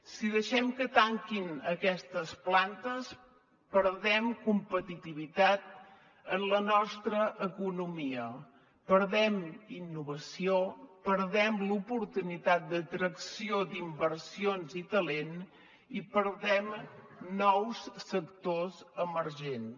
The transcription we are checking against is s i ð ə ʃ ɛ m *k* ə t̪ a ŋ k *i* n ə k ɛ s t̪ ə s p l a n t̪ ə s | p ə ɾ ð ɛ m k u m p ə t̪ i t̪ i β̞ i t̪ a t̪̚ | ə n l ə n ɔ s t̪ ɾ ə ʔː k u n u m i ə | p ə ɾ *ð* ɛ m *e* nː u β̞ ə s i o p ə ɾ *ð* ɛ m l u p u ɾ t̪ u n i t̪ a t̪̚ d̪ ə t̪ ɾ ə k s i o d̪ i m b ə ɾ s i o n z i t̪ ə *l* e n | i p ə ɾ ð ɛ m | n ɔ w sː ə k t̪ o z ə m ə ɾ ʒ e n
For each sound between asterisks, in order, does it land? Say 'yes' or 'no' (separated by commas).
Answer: yes, yes, yes, no, yes, yes